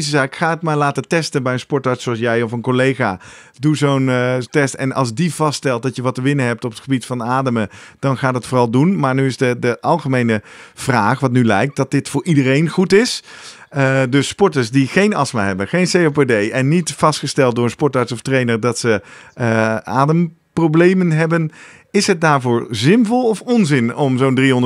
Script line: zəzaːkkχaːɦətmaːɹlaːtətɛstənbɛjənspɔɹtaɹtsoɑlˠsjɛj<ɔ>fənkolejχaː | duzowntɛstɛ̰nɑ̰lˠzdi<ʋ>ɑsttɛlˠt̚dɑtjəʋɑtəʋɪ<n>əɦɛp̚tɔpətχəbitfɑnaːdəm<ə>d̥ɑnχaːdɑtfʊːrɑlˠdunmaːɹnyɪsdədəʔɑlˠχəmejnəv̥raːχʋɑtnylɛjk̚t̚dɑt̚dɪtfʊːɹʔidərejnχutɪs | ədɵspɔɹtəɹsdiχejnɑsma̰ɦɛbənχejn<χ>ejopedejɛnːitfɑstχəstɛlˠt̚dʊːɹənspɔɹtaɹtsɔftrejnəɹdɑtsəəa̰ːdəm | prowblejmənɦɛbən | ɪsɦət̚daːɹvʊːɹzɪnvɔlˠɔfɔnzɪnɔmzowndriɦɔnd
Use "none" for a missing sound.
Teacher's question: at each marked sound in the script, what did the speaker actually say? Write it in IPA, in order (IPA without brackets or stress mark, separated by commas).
ɔ, v, n, ə, s